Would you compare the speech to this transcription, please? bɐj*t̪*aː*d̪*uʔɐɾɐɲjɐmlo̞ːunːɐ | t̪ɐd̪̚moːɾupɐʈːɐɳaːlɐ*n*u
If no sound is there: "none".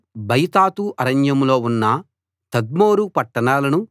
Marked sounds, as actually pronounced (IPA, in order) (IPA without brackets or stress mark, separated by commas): t̪, t̪, n